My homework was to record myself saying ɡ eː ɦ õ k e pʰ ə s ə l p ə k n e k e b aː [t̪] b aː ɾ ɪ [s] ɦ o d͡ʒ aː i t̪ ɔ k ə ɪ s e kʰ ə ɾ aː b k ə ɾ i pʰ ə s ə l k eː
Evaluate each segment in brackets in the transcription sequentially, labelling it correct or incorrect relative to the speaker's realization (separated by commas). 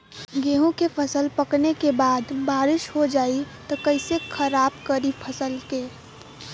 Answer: incorrect, incorrect